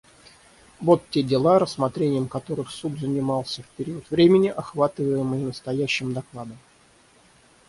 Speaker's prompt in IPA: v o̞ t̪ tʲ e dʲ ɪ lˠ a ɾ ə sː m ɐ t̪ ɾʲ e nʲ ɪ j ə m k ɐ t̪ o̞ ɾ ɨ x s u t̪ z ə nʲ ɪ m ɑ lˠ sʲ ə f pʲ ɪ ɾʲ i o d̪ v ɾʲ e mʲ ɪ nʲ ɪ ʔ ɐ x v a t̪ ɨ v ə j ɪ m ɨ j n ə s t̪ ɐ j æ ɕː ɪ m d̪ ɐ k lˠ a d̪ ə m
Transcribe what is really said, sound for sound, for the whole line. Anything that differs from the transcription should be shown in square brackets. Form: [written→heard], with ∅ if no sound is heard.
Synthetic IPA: v o̞ t̪ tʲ e dʲ ɪ lˠ a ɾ ə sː m ɐ t̪ ɾʲ e nʲ ɪ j ə m k ɐ t̪ o̞ ɾ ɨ x s u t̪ z ə nʲ ɪ m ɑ lˠ sʲ ə f pʲ ɪ ɾʲ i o [d̪→t̪] v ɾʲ e mʲ ɪ nʲ ɪ ʔ ɐ x v a t̪ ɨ v ə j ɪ m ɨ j n ə s t̪ ɐ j æ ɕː ɪ m d̪ ɐ k lˠ a d̪ ə m